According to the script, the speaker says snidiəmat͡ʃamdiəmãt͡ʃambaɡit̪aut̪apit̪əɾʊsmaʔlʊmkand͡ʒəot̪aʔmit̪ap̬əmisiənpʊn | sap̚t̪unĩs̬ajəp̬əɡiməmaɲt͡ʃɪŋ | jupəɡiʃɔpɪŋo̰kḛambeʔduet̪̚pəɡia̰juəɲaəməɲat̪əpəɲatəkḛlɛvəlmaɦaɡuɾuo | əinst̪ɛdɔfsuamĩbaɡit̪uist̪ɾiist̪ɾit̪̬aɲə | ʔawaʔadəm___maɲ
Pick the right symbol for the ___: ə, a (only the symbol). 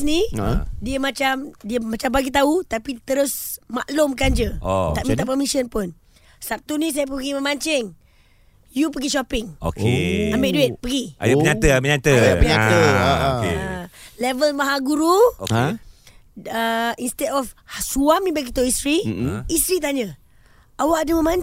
ə